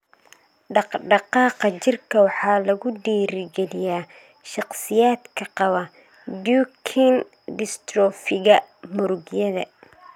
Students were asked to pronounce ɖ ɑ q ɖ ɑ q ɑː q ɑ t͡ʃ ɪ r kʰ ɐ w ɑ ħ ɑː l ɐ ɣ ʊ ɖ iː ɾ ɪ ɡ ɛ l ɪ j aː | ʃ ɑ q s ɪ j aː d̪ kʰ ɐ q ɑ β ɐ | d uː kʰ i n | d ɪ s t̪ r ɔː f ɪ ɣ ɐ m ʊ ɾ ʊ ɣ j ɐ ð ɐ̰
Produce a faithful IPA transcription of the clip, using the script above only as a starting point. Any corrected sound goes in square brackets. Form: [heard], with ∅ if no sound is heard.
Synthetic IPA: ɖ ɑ q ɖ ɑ q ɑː q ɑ t͡ʃ ɪ r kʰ ɐ w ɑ ħ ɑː l ɐ ɣ ʊ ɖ iː ɾ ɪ ɡ ɛ l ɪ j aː | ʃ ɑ q s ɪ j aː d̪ kʰ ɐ q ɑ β ɐ | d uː kʰ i n | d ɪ s t̪ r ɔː f ɪ ɣ ɐ m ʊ ɾ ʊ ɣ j ɐ ð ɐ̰